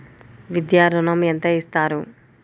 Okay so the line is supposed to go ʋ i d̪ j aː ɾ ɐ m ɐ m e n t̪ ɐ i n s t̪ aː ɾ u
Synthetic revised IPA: ʋ i d̪ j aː ɾ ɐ n ɐ m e n t̪ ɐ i s t̪ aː ɾ u